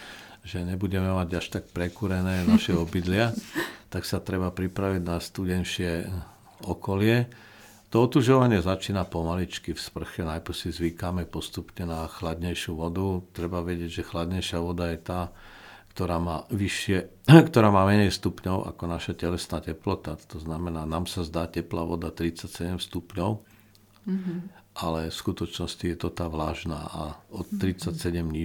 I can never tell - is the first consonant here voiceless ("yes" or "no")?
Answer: no